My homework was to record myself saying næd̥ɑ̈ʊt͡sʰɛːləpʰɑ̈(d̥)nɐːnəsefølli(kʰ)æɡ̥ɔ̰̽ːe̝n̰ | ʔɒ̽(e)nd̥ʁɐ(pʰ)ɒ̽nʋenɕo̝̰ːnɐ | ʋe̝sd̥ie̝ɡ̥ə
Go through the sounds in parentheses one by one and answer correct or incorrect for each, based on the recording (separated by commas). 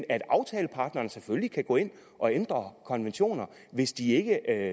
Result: correct, correct, correct, incorrect